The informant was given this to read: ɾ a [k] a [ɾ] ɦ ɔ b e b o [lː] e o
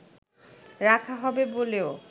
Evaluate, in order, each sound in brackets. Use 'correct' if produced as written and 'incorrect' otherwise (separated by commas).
incorrect, incorrect, incorrect